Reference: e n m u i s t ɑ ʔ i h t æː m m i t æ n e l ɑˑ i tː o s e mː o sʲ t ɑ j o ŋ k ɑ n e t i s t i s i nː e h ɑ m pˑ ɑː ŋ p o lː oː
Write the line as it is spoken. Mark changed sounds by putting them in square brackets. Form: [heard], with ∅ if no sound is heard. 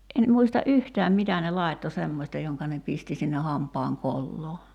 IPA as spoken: e n m u i s t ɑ ʔ [y] h t æː m m i t æ n e l ɑˑ i tː o s e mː o sʲ t ɑ j o ŋ k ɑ n e [p] i s t i s i nː e h ɑ m pˑ ɑː ŋ [k] o lː oː

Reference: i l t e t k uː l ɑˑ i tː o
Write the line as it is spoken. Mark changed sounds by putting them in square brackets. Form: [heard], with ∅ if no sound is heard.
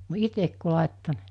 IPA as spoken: i [∅] t e [k] k [u] l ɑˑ [e] tː o

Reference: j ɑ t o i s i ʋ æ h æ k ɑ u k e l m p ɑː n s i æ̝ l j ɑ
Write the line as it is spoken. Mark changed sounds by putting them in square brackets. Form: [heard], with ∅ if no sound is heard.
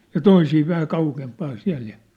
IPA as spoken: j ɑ t o i s [iː] ʋ æ h æ k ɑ u k e [∅] m p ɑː n s i æ̝ l j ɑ

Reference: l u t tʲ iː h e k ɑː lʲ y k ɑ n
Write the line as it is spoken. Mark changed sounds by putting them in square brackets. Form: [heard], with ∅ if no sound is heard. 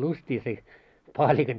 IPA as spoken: l u [s] tʲ iː [s] e [p] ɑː lʲ [i] k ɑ n

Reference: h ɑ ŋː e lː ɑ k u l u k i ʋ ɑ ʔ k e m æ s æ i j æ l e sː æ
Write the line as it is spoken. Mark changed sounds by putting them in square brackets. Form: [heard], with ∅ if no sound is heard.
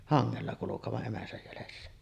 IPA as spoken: h ɑ ŋː e lː ɑ k u l u k [e] ʋ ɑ ʔ [ʔ] e m æ s æ [j] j æ l e sː æ

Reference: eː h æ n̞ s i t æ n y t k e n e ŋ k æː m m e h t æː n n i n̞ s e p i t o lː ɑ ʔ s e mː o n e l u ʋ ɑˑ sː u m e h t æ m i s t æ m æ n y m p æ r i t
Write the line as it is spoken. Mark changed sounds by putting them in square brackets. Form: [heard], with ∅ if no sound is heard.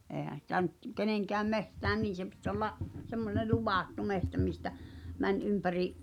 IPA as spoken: eː h æ n̞ s i t æ n y t k e n e ŋ k æː m m e h t æː n n [iː] n̞ s e p i t o lː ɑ ʔ s e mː o n e l u ʋ ɑˑ [tː] u m e h t æ m i s t æ m æ n y m p æ r i [ʔ]

